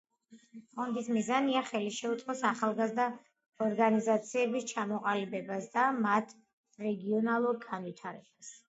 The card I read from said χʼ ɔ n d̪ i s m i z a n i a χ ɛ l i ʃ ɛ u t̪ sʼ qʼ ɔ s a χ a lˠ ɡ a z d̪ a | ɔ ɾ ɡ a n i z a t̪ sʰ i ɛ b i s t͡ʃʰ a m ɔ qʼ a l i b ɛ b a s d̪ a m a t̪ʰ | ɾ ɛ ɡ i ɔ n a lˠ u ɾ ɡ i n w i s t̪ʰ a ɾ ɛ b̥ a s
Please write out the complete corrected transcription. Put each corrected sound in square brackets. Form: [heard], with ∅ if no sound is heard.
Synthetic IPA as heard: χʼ ɔ n d̪ i s m i z a n i a χ ɛ l i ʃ ɛ u t̪ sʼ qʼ ɔ s a χ a lˠ ɡ a z d̪ a | ɔ ɾ ɡ a n i z a t̪ sʰ i ɛ b i s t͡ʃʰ a m ɔ qʼ a l i b ɛ b a s d̪ a m a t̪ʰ | ɾ ɛ ɡ i ɔ n a lˠ u ɾ ɡ [a] n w i [∅] t̪ʰ a ɾ ɛ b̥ a s